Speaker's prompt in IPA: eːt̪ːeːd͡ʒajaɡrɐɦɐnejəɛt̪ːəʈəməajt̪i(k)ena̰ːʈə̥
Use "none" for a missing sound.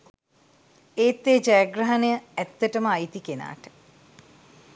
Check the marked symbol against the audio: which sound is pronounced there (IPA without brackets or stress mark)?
k